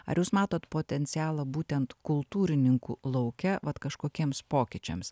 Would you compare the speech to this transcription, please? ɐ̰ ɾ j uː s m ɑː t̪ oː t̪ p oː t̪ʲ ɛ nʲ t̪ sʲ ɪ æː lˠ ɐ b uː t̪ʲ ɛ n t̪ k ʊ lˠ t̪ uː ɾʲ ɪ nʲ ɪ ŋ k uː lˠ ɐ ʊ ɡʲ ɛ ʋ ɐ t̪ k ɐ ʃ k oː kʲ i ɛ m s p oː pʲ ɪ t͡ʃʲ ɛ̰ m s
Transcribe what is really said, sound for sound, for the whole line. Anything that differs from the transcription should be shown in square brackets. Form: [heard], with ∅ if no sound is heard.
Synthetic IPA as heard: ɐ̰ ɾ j uː s m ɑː t̪ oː t̪ p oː t̪ʲ ɛ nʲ t̪ sʲ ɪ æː lˠ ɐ b uː t̪ʲ ɛ n t̪ k ʊ lˠ t̪ uː ɾʲ ɪ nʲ ɪ ŋ k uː lˠ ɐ ʊ [kʲ] ɛ ʋ ɐ t̪ k ɐ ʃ k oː kʲ i ɛ m s p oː [kʲ] ɪ t͡ʃʲ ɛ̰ m s